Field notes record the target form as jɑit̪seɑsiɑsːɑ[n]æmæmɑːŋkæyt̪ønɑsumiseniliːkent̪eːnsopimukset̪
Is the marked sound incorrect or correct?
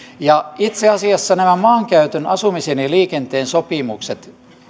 correct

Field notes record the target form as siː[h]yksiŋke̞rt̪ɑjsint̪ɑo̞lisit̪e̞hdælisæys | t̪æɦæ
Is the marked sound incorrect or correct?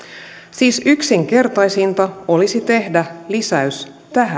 incorrect: s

